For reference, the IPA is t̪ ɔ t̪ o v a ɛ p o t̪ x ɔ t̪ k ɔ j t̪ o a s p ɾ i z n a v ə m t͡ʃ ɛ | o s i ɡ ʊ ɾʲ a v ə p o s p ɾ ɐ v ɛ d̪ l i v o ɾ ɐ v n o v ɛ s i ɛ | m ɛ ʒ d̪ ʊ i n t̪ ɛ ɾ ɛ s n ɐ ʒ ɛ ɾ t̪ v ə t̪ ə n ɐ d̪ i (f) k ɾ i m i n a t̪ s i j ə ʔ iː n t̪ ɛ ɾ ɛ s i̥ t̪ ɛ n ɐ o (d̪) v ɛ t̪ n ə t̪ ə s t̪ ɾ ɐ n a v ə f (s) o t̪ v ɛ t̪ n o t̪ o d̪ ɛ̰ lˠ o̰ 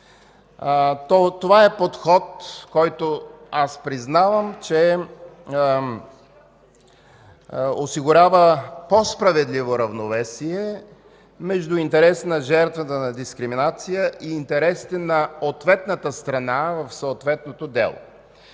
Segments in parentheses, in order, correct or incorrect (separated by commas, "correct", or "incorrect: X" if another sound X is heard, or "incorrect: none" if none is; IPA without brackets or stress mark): incorrect: s, incorrect: t̪, correct